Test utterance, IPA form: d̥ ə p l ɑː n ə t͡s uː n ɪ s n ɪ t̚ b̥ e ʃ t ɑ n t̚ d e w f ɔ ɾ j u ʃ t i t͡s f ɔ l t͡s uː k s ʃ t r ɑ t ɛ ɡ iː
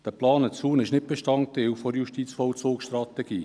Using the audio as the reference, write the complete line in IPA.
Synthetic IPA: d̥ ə p l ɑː n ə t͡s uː n ɪ ʃ n ɪ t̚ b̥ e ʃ t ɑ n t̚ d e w f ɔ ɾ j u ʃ t i t͡s f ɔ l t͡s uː k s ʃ t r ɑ t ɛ ɡ iː